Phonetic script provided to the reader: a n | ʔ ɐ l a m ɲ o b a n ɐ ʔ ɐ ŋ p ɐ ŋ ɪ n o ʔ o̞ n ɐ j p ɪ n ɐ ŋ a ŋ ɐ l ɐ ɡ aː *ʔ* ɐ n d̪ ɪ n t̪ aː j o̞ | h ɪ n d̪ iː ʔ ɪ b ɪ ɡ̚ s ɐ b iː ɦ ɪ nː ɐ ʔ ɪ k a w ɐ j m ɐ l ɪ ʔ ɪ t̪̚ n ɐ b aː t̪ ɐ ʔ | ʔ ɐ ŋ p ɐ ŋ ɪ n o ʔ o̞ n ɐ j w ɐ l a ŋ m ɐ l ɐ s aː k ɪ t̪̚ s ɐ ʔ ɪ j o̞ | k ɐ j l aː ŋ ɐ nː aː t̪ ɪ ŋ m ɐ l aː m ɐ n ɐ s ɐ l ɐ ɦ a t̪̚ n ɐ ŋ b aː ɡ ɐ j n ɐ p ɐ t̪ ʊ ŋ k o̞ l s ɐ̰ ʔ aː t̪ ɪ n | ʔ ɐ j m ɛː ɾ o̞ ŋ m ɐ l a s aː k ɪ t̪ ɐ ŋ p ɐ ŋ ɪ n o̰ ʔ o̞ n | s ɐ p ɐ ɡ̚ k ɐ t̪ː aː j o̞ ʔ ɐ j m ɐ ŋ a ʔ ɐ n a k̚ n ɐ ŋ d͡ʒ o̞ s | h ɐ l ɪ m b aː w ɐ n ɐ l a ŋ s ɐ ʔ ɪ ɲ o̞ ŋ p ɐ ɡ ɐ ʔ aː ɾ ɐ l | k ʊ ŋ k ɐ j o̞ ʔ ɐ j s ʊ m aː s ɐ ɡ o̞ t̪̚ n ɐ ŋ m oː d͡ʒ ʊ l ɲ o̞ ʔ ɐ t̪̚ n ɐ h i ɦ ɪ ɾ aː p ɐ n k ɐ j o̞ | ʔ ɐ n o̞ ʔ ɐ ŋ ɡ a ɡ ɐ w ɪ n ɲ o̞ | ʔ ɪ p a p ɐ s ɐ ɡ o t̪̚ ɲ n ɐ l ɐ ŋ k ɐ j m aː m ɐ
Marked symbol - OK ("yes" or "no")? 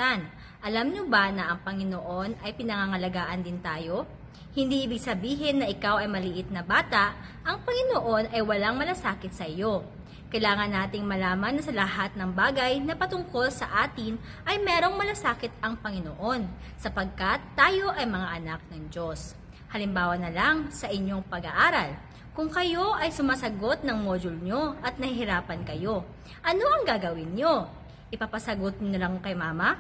yes